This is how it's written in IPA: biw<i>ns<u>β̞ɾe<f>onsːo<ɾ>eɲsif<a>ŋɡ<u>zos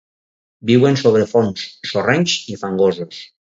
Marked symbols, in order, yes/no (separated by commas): no, no, yes, no, yes, no